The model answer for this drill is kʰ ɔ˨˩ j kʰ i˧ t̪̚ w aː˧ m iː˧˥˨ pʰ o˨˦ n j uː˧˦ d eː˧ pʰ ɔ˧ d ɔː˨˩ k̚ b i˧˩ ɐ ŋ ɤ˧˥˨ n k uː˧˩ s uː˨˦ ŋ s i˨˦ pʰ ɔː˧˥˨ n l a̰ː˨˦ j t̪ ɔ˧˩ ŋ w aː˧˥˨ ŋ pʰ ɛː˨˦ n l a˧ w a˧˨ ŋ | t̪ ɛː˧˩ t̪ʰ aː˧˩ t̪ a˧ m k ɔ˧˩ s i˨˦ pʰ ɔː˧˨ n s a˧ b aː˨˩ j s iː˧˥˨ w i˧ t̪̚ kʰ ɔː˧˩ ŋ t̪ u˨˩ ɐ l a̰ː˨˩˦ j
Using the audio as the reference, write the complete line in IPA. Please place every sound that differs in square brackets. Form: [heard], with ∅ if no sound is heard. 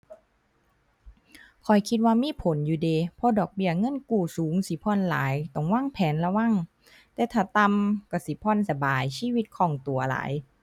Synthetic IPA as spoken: kʰ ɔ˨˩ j kʰ i˧ t̪̚ w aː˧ m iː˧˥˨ pʰ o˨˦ n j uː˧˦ d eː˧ pʰ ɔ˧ d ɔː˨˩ k̚ b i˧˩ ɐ ŋ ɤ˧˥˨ n k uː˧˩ s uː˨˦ ŋ s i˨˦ pʰ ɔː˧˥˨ n l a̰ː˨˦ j t̪ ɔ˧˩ ŋ w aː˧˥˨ ŋ pʰ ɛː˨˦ n l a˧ w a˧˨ ŋ | t̪ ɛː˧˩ t̪ʰ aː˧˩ t̪ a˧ m k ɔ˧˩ s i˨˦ pʰ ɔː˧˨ n s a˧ b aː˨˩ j s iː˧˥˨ w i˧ t̪̚ kʰ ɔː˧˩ ŋ t̪ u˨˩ ɐ l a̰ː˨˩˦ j